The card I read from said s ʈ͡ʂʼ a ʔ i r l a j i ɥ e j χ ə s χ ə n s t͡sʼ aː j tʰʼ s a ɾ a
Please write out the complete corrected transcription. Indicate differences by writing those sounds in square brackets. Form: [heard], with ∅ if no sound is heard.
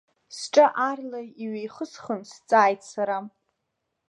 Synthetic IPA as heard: s ʈ͡ʂʼ a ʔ [a] r l a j i ɥ e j χ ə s χ ə n s t͡sʼ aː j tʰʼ s a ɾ a